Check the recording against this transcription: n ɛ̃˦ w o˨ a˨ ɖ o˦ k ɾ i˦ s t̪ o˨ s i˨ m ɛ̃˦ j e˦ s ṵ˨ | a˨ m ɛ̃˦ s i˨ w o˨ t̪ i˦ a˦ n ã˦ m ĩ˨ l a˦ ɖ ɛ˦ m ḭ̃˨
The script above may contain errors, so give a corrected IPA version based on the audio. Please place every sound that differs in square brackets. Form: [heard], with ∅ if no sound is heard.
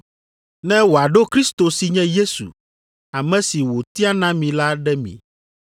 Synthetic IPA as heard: n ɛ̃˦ w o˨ a˨ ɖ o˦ k ɾ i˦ s t̪ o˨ s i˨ [ɲ] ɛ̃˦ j e˦ s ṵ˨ | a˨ m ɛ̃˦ s i˨ w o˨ t̪ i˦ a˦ n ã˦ m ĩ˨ l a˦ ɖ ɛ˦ m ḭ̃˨